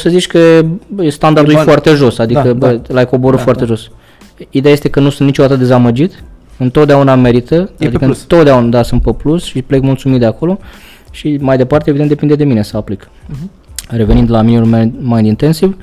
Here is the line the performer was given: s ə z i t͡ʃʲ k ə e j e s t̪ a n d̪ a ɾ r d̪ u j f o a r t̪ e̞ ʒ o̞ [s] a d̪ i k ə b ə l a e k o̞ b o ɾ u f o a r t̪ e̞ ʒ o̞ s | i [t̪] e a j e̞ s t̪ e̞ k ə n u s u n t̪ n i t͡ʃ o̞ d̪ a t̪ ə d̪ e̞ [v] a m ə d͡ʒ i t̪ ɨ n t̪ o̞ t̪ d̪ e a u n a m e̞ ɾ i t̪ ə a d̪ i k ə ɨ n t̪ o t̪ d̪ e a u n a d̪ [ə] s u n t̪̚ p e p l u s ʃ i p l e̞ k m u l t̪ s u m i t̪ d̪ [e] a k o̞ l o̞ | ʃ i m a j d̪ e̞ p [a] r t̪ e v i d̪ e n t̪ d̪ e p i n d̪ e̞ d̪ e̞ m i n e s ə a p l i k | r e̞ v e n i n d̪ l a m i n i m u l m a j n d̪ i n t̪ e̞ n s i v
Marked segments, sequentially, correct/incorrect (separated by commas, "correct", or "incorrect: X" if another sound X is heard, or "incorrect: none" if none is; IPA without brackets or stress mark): correct, incorrect: d̪, incorrect: z, incorrect: a, correct, correct